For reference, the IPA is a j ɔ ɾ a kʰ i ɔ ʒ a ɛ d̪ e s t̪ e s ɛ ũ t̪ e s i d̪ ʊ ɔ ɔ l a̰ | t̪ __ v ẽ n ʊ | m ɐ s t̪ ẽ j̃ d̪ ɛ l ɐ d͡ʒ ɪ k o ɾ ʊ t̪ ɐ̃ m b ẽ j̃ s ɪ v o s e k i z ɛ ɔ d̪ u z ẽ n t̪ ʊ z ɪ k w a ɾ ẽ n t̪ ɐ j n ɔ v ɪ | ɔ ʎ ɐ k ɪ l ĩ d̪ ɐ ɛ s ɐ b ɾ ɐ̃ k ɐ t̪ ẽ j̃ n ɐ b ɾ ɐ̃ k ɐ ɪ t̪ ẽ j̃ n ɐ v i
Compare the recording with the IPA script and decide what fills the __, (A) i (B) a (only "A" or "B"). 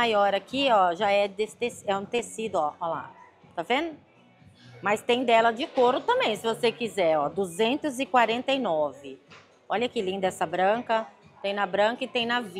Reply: B